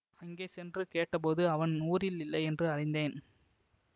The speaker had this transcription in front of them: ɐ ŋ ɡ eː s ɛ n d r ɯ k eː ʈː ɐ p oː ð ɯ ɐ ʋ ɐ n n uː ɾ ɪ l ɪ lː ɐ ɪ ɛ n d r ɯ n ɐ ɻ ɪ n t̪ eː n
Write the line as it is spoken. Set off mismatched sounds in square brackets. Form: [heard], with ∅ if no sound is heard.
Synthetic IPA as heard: ɐ ŋ ɡ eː s ɛ n d r ɯ k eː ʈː ɐ p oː ð ɯ ɐ ʋ ɐ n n uː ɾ ɪ l ɪ lː ɐ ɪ ɛ n d r ɯ [∅] ɐ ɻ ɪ n [d̪] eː n

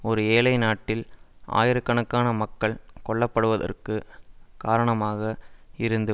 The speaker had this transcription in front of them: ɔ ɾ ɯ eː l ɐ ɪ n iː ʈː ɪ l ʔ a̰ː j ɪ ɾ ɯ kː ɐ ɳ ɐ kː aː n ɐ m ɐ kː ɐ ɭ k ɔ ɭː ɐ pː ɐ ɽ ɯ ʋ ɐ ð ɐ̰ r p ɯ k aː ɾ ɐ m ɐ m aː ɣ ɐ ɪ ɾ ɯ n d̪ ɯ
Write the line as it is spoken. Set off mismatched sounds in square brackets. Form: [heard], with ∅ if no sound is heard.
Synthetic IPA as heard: ɔ ɾ ɯ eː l ɐ ɪ n [aː] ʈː ɪ l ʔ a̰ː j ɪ ɾ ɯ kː ɐ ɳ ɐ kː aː n ɐ m ɐ kː ɐ ɭ k ɔ ɭː ɐ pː ɐ ɽ ɯ ʋ ɐ ð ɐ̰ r [k] ɯ k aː ɾ ɐ [ɳ] ɐ m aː ɣ ɐ ɪ ɾ ɯ n d̪ ɯ

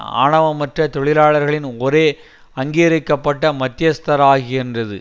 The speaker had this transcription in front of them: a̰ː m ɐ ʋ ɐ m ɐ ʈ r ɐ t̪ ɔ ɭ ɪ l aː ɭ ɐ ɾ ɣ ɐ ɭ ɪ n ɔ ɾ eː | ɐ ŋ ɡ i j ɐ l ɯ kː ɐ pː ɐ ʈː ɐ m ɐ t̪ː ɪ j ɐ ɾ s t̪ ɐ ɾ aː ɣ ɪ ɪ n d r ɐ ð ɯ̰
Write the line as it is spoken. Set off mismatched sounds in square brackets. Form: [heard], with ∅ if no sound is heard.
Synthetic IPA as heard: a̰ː [ɳ] ɐ ʋ ɐ m ɐ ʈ r ɐ t̪ ɔ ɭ ɪ l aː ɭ ɐ ɾ ɣ ɐ ɭ ɪ n ɔ ɾ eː | ɐ ŋ ɡ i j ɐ [ɾ] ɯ kː ɐ pː ɐ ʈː ɐ m ɐ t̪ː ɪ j ɐ [∅] s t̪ ɐ ɾ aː ɣ ɪ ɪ n d r ɐ ð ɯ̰

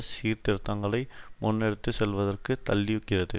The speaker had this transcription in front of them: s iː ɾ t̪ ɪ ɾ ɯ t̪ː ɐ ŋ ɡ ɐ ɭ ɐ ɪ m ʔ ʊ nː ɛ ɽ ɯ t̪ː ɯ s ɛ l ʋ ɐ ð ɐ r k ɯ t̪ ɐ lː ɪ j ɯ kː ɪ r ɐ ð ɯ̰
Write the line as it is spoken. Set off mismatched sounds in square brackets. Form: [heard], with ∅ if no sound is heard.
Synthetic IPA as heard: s iː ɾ t̪ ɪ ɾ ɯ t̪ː ɐ ŋ ɡ ɐ ɭ ɐ ɪ m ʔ ʊ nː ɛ ɽ ɯ t̪ː ɯ s ɛ l ʋ ɐ ð ɐ r k ɯ t̪ ɐ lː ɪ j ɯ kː ɪ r ɐ ð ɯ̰

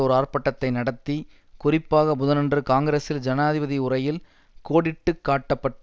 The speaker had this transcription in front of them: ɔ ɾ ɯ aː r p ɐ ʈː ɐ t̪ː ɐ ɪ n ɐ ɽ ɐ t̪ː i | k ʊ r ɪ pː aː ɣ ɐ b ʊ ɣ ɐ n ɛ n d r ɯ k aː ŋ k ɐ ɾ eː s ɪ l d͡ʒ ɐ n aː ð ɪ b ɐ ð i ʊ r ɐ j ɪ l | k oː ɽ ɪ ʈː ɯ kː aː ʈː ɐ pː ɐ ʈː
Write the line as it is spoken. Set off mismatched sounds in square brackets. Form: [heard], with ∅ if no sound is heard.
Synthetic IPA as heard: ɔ ɾ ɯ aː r p ɐ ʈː ɐ t̪ː ɐ ɪ n ɐ ɽ ɐ t̪ː i | k ʊ r ɪ pː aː ɣ ɐ b ʊ [ð] ɐ n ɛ n d r ɯ k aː ŋ [ɡ] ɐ ɾ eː s ɪ l d͡ʒ ɐ n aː ð ɪ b ɐ ð i ʊ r ɐ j ɪ l | k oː ɽ ɪ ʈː ɯ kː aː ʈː ɐ pː ɐ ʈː

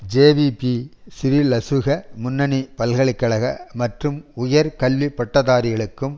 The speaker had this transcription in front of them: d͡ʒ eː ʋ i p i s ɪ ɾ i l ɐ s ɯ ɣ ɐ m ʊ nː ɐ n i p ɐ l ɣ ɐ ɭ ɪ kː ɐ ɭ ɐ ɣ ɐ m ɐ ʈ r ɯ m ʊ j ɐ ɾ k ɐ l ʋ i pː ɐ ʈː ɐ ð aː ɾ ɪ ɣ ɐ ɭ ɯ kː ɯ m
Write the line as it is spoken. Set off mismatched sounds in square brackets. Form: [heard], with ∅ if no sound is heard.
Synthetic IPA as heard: d͡ʒ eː ʋ i p i s ɪ ɾ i l ɐ s ɯ ɣ ɐ m ʊ nː ɐ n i p ɐ l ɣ ɐ ɭ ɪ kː ɐ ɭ ɐ ɣ ɐ m ɐ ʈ r ɯ m ʊ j ɐ ɾ k ɐ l ʋ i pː ɐ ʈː ɐ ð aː ɾ ɪ ɣ ɐ ɭ ɯ kː ɯ m

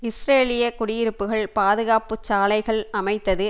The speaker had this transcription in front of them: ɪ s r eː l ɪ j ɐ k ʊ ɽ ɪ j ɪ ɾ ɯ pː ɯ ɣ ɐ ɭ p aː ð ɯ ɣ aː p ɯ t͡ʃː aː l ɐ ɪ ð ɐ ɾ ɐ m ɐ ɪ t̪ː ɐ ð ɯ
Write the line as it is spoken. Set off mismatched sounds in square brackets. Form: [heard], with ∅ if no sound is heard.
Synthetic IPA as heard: ɪ s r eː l ɪ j ɐ k ʊ ɽ ɪ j ɪ ɾ ɯ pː ɯ ɣ ɐ ɭ p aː ð ɯ ɣ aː p ɯ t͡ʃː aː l ɐ ɪ [ɣ] ɐ [ɭ] ɐ m ɐ ɪ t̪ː ɐ ð ɯ

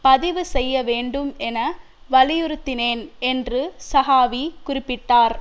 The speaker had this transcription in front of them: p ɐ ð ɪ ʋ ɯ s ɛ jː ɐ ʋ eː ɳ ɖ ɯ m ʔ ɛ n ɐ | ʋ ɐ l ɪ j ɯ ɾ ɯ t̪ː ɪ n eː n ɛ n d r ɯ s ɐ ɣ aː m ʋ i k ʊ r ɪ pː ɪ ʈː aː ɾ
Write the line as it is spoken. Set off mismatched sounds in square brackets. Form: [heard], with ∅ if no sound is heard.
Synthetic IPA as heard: p ɐ ð ɪ ʋ ɯ s ɛ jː ɐ ʋ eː ɳ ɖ ɯ m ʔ ɛ n ɐ | ʋ ɐ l ɪ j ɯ ɾ ɯ t̪ː ɪ n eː n ɛ n d r ɯ s ɐ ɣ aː [∅] ʋ i k ʊ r ɪ pː ɪ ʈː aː ɾ

